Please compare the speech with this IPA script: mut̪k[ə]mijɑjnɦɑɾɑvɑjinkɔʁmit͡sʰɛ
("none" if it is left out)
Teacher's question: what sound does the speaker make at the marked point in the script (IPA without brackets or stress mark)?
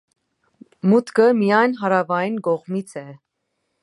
ə